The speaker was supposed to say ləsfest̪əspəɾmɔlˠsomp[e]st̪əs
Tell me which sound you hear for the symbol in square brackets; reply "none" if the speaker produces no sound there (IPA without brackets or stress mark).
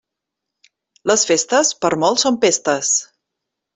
e